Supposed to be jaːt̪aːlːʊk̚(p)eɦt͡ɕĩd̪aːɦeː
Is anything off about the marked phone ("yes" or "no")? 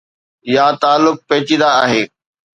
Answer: no